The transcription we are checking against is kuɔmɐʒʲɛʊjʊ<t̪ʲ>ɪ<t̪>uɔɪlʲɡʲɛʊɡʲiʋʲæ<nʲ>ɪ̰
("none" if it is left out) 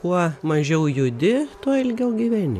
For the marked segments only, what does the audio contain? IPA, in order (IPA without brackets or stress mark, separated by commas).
d̪ʲ, t̪, nʲ